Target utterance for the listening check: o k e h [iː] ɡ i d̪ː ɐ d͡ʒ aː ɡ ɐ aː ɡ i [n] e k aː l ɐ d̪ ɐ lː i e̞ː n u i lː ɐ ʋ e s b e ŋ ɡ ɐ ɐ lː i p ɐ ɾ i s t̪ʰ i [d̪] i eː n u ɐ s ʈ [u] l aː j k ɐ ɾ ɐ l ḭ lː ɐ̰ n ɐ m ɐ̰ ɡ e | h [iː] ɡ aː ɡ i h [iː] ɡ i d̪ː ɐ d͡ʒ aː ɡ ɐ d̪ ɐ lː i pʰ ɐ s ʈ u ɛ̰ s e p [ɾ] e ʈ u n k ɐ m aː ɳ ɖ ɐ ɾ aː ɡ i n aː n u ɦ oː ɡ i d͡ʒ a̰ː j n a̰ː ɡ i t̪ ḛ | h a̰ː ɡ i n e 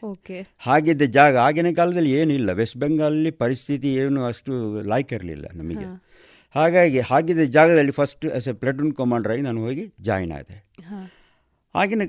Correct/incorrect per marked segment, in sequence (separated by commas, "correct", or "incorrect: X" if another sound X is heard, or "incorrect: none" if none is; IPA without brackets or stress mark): incorrect: aː, correct, incorrect: t̪, correct, incorrect: aː, incorrect: aː, incorrect: l